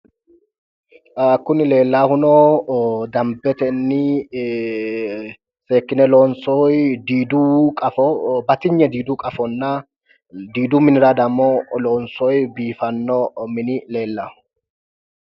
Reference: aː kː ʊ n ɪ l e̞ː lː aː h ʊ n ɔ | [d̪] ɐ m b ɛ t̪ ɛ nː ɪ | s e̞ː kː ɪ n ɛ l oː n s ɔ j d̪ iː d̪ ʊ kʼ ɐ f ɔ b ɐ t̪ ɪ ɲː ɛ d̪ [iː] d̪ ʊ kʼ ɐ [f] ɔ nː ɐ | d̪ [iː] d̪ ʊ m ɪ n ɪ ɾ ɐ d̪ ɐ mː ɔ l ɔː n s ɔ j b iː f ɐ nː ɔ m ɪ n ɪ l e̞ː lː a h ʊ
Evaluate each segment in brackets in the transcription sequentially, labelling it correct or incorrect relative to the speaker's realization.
correct, correct, correct, correct

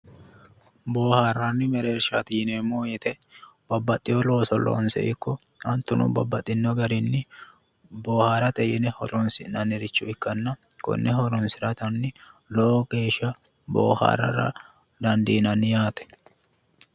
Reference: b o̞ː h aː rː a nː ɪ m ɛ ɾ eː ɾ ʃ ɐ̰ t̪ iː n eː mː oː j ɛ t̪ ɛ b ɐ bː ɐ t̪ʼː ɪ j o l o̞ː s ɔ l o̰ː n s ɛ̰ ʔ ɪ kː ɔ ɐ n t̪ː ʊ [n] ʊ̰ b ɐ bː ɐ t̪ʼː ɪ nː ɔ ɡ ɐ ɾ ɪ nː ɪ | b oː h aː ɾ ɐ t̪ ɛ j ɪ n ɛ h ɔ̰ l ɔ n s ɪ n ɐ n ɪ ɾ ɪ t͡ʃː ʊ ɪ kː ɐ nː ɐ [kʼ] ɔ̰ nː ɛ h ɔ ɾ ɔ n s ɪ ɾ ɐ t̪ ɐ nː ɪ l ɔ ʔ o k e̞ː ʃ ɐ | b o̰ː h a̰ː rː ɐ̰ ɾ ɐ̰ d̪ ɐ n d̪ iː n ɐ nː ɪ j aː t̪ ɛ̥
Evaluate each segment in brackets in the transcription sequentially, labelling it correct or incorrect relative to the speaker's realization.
correct, incorrect

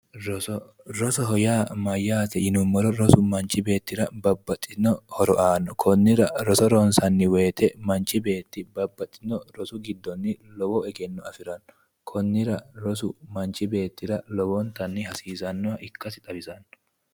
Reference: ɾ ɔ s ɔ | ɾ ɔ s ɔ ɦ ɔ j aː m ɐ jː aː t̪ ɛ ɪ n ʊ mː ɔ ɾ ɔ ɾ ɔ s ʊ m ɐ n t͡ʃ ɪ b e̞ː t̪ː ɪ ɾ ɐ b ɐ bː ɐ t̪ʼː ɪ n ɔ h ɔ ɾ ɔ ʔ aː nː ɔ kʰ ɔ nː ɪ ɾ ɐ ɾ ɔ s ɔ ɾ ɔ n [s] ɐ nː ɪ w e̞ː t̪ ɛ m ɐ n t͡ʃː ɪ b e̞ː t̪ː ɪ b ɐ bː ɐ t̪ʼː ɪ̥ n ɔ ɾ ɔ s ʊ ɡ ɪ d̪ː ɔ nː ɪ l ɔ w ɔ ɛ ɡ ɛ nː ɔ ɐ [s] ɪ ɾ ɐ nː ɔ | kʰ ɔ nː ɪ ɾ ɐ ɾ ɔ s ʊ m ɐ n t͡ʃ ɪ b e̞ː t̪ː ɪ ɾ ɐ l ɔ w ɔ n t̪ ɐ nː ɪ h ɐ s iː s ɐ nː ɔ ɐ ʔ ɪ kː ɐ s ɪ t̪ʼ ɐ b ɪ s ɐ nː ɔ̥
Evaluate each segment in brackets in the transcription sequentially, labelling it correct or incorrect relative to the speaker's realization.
correct, incorrect

